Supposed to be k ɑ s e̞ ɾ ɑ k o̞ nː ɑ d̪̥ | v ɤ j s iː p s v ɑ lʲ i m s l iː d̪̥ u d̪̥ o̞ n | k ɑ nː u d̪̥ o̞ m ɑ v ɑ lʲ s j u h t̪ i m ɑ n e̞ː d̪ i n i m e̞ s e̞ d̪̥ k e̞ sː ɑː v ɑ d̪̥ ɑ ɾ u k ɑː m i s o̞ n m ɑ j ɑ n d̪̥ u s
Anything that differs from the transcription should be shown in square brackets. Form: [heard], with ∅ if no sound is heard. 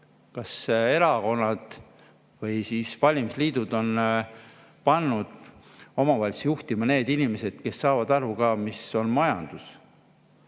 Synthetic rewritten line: k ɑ s e̞ ɾ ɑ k o̞ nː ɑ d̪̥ | v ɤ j s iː [∅] s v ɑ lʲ i m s l iː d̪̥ u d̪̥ o̞ n | [p] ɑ nː u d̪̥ o̞ m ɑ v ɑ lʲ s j u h t̪ i m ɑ n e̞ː d̪ i n i m e̞ s e̞ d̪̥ k e̞ sː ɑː v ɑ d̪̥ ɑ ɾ u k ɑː m i s o̞ n m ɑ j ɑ n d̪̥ u s